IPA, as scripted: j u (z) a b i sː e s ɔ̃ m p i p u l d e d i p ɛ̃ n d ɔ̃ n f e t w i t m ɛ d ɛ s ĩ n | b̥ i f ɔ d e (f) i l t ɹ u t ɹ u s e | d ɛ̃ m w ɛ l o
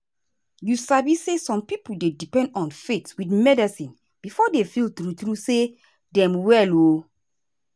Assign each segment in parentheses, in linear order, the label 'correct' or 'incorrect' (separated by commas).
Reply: incorrect, correct